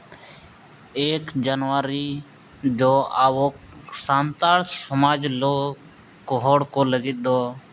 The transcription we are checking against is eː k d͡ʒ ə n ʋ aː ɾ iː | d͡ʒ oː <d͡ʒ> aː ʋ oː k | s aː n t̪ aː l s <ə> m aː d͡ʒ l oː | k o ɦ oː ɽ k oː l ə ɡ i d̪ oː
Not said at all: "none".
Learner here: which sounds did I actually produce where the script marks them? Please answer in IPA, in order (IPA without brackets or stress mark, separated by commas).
none, ə